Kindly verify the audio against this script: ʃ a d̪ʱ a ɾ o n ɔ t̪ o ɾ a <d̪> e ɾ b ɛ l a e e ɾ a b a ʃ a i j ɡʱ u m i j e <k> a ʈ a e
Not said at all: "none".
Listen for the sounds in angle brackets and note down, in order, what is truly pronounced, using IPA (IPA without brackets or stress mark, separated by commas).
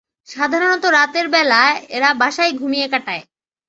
t̪, k